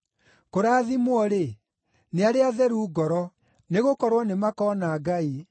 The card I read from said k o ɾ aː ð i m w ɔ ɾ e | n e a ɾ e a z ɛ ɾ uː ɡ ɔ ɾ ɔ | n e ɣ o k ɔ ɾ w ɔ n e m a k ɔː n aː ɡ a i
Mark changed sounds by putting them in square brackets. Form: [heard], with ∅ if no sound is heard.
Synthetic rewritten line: k o ɾ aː ð i m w ɔ ɾ e | n e a ɾ e a [ð] ɛ ɾ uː ɡ ɔ ɾ ɔ | n e ɣ o k ɔ ɾ w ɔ n e m a k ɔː n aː ɡ a i